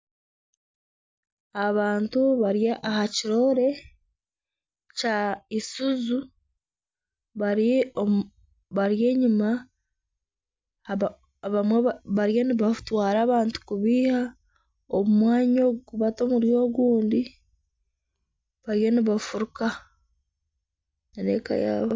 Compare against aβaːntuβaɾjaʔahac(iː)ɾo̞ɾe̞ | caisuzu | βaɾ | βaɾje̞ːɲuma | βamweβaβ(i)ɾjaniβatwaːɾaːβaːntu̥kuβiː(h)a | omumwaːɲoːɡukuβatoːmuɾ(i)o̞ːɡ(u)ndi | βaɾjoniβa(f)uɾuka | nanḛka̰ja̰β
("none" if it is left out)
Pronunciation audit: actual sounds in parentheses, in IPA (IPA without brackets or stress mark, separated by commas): i, a, h, j, uː, f